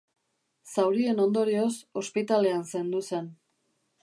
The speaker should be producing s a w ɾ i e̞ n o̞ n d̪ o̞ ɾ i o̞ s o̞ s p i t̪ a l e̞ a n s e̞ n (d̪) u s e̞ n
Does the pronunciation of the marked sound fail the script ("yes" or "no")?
no